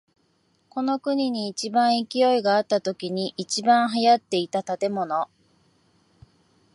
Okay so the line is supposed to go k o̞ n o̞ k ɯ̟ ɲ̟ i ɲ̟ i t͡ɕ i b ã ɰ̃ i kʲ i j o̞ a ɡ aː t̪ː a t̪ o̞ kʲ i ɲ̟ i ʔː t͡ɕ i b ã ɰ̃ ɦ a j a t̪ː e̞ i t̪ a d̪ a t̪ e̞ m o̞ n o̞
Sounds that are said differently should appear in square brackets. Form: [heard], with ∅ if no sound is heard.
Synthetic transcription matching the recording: k o̞ n o̞ k ɯ̟ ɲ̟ i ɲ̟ [iː] t͡ɕ i b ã ɰ̃ i kʲ i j o̞ [i] ɡ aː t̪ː a t̪ o̞ kʲ i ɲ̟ i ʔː t͡ɕ i b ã ɰ̃ ɦ a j a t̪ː e̞ i t̪ a [t̪] a t̪ e̞ m o̞ n o̞